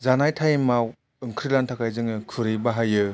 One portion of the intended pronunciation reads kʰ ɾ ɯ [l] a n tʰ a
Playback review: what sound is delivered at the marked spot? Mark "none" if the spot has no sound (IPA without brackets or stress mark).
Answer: l